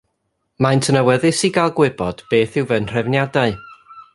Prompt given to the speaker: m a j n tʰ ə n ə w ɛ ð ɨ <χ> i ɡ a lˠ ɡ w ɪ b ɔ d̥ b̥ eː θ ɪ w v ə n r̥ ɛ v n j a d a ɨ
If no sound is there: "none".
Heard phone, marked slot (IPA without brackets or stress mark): s